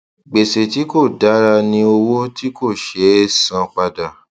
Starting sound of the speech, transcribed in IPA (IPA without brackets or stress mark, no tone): ɡ͡b